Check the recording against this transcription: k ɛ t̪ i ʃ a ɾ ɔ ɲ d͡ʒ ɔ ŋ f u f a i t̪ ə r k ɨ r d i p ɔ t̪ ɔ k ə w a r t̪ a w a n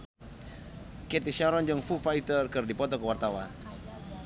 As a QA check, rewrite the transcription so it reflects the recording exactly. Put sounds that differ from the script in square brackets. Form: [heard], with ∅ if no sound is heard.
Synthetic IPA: k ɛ t̪ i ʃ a ɾ ɔ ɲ d͡ʒ ɔ ŋ f u f a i t̪ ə r k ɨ r d i p ɔ t̪ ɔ k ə w a r t̪ a w a n

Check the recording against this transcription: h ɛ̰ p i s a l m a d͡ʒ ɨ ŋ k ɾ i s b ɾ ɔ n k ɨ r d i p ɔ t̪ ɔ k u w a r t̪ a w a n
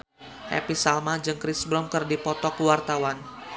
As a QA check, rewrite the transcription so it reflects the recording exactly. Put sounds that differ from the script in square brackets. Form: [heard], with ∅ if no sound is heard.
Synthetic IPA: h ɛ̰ p i s a l m a d͡ʒ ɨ ŋ k ɾ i s b ɾ ɔ [m] k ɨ r d i p ɔ t̪ ɔ k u w a r t̪ a w a n

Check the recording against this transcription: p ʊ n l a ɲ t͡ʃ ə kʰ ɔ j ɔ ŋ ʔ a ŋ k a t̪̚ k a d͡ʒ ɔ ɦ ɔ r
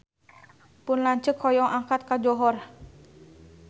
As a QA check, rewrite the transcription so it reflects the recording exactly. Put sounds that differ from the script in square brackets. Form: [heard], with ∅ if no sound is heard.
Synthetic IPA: p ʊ n l a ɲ t͡ʃ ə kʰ ɔ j ɔ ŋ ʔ a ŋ k a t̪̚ k a d͡ʒ ɔ ɦ ɔ r

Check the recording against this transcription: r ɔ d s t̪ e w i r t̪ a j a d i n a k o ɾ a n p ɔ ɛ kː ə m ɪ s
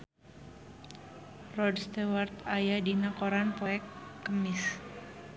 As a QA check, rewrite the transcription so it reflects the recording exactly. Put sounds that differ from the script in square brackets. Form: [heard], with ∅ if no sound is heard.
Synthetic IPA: r ɔ d s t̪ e w [a] r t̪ a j a d i n a k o ɾ a n p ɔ ɛ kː ə m ɪ s

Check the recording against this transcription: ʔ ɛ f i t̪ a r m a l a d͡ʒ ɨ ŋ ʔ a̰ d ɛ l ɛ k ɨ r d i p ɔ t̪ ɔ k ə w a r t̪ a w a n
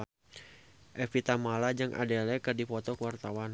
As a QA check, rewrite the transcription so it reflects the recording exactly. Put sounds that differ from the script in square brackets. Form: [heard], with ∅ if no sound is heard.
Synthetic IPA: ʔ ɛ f i t̪ a [∅] m a l a d͡ʒ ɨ ŋ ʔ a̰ d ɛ l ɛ k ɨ r d i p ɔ t̪ ɔ k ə w a r t̪ a w a n

